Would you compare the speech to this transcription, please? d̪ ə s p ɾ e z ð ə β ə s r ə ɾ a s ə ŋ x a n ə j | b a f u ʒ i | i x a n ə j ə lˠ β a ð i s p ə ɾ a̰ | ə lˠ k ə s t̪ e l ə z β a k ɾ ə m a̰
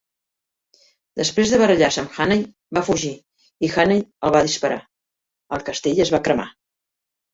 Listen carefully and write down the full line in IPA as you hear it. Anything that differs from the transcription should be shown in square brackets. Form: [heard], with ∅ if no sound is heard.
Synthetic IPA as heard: d̪ ə s p ɾ e z ð ə β ə [∅] r ə [ʎ] a s ə [m] x a n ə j | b a f u ʒ i | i x a n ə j ə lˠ β a ð i s p ə ɾ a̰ | ə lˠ k ə s t̪ e [ʎ] ə z β a k ɾ ə m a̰